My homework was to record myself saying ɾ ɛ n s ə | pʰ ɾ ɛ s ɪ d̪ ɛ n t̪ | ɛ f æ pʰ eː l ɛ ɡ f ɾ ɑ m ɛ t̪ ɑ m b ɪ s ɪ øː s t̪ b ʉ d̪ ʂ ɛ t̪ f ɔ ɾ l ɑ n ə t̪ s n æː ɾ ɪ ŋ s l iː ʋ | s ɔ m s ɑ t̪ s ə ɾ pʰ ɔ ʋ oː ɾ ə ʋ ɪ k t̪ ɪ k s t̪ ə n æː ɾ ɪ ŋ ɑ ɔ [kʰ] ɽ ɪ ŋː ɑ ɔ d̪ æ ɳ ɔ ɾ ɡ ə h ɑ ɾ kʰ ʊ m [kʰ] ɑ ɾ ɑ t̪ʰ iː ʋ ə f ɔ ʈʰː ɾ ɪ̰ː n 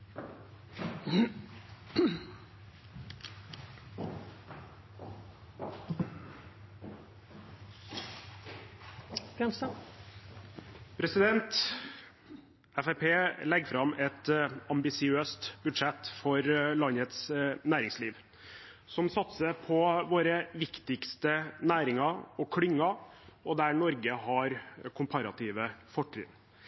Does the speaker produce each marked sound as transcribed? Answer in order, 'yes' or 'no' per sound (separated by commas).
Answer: yes, no